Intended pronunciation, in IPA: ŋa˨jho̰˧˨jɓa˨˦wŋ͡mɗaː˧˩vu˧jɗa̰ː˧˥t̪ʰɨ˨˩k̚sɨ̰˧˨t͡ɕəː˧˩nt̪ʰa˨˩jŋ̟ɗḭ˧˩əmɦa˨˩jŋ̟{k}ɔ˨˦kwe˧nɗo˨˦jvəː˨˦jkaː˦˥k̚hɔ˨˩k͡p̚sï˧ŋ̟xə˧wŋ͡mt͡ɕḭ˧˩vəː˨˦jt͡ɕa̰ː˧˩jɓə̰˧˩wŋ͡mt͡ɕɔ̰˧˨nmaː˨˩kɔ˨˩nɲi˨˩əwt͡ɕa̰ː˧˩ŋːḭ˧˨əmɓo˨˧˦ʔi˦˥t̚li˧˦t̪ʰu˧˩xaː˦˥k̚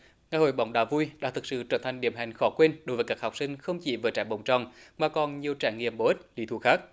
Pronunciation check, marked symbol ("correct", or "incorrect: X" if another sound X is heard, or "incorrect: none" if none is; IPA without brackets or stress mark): incorrect: x